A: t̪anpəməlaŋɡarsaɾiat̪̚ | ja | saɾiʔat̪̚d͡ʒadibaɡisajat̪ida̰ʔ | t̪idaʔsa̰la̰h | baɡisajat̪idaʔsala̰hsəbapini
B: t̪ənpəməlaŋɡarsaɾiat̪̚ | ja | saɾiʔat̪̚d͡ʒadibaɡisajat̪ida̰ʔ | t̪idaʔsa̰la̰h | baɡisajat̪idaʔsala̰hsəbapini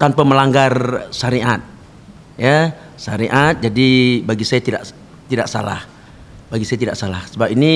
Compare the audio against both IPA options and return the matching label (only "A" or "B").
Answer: A